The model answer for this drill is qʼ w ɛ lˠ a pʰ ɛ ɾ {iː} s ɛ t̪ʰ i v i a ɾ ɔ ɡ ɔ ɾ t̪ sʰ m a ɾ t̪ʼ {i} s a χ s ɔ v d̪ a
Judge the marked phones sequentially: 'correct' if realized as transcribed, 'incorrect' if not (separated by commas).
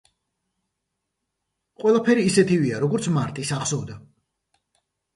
correct, correct